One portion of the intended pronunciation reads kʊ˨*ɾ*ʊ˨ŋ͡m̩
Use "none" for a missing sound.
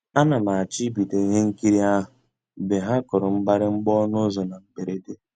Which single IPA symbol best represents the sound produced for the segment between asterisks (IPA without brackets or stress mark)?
ɾ